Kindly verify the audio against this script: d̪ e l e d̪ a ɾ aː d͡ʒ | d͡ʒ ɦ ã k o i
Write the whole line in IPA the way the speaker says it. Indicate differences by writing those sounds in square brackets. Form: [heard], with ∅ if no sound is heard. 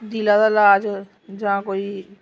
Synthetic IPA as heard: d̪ [i] l [a] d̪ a [l] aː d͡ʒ | d͡ʒ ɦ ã k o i